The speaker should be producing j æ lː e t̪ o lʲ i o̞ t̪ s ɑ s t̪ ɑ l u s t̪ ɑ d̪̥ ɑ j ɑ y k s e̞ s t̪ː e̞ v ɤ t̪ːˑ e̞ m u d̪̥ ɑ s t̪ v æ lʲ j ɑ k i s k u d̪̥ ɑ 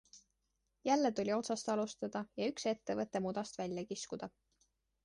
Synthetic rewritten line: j æ lː e t̪ u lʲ i o̞ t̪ s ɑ s t̪ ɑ l u s t̪ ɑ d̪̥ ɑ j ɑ y k s e̞ t̪ː e̞ v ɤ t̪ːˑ e̞ m u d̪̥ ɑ s t̪ v æ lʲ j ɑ k i s k u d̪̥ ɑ